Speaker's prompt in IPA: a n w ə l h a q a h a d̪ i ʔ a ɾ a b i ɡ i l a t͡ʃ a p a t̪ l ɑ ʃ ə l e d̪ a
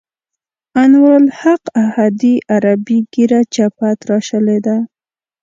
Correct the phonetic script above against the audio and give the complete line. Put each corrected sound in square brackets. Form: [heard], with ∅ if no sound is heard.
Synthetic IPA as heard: a n w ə l h a q a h a d̪ i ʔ a ɾ a b i ɡ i [ɾ] a t͡ʃ a p a t̪ [ɾ] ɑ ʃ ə l e d̪ a

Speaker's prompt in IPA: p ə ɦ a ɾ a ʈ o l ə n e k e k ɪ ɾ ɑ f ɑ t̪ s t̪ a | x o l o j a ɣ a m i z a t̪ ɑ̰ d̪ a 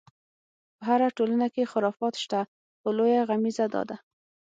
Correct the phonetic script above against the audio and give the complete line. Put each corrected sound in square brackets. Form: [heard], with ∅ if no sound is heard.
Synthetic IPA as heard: p ə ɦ a ɾ a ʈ o l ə n [a] k e [x] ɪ ɾ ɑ f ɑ t̪ [ʃ] t̪ a | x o l o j a ɣ a m i z a [d̪] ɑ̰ d̪ a

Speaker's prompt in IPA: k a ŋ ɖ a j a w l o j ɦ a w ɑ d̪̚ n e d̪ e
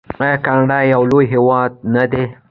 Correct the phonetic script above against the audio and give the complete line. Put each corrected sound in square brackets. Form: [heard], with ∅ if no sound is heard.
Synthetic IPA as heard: k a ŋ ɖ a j a w l o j ɦ [e] w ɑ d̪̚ n [a] d̪ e

